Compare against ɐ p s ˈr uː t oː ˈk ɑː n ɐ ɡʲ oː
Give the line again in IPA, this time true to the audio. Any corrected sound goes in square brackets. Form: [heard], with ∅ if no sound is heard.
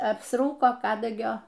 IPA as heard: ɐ p s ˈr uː [k] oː ˈk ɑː [d] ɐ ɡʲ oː

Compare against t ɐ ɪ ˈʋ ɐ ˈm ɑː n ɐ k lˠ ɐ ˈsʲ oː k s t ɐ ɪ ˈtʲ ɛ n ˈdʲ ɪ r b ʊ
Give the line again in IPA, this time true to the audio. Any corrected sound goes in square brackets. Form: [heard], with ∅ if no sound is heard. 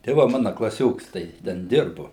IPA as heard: t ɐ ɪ ˈʋ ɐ ˈm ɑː n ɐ k lˠ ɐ ˈsʲ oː k s t ɐ ɪ ˈtʲ ɛ n ˈdʲ ɪ r b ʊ

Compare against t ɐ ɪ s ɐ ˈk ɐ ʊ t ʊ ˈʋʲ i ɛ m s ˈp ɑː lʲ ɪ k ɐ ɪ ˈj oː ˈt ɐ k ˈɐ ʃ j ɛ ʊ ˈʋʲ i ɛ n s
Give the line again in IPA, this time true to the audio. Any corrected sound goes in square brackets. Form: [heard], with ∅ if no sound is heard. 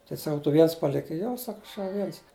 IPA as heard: t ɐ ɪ s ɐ ˈk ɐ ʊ t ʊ ˈʋʲ i ɛ [n] s ˈp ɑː lʲ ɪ k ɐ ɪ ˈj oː [ˈs] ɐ k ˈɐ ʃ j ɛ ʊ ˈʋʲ i ɛ n s

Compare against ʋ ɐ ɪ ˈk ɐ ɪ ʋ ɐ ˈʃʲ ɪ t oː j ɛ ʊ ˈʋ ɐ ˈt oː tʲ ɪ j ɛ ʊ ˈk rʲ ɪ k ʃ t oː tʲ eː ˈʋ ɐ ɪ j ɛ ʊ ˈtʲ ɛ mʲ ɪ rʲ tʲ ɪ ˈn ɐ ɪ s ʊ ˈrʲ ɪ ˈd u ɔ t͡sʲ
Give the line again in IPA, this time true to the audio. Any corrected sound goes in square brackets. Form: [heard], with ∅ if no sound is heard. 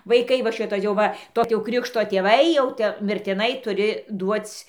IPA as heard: ʋ ɐ ɪ ˈk ɐ ɪ ʋ ɐ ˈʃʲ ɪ t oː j ɛ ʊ ˈʋ ɐ ˈt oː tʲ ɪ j ɛ ʊ ˈk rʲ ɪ k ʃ t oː tʲ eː ˈʋ ɐ ɪ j ɛ ʊ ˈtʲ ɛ mʲ ɪ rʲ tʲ ɪ ˈn ɐ ɪ [t] ʊ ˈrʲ ɪ ˈd u ɔ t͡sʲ

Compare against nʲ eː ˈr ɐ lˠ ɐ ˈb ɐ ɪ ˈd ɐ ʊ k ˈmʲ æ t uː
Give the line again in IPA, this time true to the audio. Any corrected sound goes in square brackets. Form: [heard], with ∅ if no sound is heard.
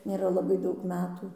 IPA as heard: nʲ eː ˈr ɐ lˠ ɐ ˈb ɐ ɪ ˈd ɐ ʊ k ˈmʲ [æː] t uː

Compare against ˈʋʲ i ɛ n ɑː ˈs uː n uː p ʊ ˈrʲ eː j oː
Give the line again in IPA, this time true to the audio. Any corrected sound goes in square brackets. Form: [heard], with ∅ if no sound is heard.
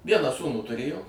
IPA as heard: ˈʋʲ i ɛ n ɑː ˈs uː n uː [t] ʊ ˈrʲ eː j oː

